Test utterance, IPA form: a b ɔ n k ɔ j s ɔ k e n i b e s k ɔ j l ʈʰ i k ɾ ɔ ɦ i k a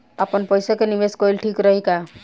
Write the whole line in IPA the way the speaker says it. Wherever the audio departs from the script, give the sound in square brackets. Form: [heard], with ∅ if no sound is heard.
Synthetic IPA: a [p] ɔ n [p] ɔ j s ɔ k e n i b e s k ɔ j l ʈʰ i k ɾ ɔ ɦ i k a